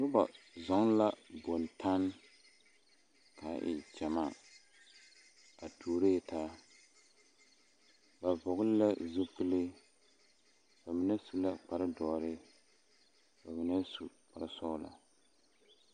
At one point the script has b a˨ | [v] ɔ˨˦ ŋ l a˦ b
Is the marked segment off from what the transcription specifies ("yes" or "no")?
yes